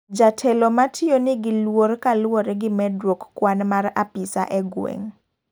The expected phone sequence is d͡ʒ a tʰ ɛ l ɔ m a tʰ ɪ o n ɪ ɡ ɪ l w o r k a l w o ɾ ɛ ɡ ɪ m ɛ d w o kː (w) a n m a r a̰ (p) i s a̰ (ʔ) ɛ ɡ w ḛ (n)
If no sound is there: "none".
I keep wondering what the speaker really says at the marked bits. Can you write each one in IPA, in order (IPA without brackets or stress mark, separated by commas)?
w, p, ʔ, ŋ